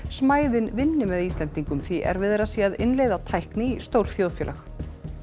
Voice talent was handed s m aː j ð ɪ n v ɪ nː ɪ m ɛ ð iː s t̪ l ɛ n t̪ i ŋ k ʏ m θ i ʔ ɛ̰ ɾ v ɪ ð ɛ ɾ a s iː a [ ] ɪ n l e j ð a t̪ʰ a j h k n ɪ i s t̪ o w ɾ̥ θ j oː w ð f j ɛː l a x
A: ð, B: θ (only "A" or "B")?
A